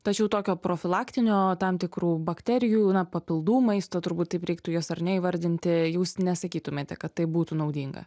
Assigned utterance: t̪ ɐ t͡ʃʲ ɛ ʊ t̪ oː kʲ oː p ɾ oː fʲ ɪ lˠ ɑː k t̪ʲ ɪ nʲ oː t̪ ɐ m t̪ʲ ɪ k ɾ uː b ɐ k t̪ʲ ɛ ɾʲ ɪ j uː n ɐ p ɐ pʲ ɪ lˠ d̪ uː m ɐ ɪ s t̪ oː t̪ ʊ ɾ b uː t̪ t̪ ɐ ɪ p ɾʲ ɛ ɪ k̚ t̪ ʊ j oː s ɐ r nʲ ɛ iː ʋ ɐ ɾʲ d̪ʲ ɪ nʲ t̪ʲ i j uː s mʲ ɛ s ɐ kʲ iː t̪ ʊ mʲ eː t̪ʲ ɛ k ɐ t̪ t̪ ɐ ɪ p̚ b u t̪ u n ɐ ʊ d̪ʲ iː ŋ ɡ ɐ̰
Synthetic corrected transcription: t̪ ɐ t͡ʃʲ ɛ ʊ t̪ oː kʲ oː p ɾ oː fʲ ɪ lˠ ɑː k t̪ʲ ɪ nʲ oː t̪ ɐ m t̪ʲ ɪ k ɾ uː b ɐ k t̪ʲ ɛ ɾʲ ɪ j uː n ɐ p ɐ pʲ ɪ lˠ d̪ uː m ɐ ɪ s t̪ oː t̪ ʊ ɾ b uː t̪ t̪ ɐ ɪ p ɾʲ ɛ ɪ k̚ t̪ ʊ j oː s ɐ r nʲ ɛ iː ʋ ɐ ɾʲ d̪ʲ ɪ nʲ t̪ʲ ɪ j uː s nʲ ɛ s ɐ kʲ iː t̪ ʊ mʲ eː t̪ʲ ɛ k ɐ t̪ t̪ ɐ ɪ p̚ b uː t̪ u n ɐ ʊ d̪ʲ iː ŋ ɡ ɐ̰